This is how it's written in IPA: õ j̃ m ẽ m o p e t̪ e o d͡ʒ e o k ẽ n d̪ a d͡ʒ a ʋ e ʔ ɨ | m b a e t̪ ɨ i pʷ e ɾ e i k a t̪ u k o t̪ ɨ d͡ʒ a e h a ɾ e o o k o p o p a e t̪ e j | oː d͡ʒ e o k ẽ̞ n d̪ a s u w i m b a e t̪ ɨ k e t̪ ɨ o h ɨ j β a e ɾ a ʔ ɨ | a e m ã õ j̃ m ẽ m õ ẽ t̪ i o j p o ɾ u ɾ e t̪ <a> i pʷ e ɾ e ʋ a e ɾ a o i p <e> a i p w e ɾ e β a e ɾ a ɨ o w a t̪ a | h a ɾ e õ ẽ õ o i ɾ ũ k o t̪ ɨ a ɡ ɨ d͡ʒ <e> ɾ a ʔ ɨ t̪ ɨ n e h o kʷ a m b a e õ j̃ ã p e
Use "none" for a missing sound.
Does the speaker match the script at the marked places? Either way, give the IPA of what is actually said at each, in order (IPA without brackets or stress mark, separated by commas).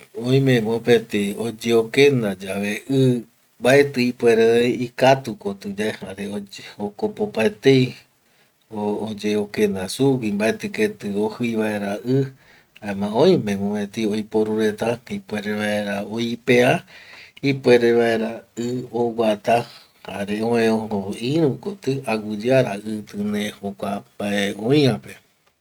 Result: a, e, a